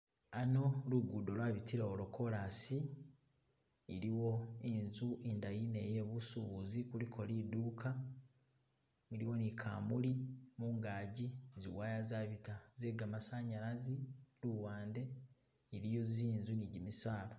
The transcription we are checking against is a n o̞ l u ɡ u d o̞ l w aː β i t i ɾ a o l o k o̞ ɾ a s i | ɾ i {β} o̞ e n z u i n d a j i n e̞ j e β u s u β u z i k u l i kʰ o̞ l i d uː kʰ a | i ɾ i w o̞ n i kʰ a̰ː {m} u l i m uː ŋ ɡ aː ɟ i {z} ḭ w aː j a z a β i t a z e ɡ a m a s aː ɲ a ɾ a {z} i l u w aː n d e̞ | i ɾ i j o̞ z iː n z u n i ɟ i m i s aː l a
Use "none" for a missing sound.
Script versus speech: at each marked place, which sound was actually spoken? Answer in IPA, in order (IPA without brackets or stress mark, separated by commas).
w, m, z, z